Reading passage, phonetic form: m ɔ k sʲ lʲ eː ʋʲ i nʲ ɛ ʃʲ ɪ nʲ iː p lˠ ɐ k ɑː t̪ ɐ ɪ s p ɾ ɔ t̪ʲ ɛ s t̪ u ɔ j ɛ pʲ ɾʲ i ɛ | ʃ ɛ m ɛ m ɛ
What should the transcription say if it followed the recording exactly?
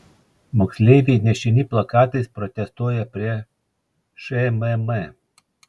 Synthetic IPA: m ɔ k sʲ lʲ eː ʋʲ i nʲ ɛ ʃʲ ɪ nʲ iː p lˠ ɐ k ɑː t̪ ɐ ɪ s p ɾ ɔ t̪ʲ ɛ s t̪ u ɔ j ɛ pʲ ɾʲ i ɛ | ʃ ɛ m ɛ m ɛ